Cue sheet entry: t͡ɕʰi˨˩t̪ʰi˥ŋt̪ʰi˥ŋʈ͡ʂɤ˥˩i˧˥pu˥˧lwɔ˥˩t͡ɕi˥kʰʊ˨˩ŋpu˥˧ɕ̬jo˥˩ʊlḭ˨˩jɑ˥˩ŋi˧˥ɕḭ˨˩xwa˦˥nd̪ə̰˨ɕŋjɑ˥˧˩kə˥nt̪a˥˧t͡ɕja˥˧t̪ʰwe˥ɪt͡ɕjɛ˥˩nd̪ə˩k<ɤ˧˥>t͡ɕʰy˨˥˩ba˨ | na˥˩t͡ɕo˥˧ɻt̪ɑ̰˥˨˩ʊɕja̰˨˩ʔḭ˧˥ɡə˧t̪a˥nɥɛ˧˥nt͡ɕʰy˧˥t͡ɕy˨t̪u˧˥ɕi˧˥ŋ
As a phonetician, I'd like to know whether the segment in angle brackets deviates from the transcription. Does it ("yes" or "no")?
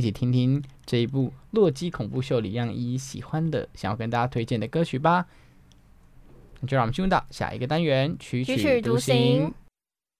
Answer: yes